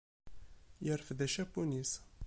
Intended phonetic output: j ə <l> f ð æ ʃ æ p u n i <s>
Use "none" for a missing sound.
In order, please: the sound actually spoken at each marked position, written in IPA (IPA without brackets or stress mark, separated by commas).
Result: ɾ, s